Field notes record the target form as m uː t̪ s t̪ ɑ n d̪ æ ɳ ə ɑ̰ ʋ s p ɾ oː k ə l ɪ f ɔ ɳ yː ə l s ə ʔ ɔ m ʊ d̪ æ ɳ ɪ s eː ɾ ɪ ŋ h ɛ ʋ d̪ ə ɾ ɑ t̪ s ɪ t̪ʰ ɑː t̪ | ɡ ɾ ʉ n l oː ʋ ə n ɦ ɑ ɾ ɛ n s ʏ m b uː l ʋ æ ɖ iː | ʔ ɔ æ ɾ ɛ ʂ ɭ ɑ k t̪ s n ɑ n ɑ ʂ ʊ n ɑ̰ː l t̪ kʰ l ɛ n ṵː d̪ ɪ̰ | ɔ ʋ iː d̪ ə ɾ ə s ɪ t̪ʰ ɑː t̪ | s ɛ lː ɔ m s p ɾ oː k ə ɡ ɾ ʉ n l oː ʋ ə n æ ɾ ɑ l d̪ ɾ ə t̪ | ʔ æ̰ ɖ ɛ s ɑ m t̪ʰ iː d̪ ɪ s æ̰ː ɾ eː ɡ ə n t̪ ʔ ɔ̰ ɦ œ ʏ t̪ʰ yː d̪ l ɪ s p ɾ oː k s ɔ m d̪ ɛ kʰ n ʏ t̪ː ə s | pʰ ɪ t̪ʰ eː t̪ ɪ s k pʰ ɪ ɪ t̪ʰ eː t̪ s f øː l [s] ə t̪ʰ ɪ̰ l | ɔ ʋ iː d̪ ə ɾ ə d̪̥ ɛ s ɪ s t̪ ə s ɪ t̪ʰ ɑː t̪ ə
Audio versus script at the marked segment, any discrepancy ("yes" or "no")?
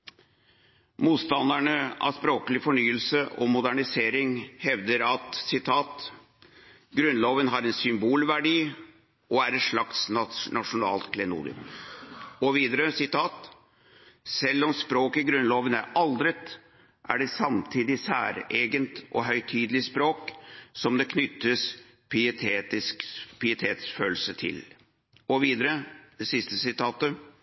no